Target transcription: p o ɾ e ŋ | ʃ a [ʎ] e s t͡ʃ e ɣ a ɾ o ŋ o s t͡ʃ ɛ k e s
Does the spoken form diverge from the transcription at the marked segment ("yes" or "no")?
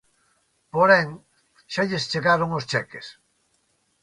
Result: no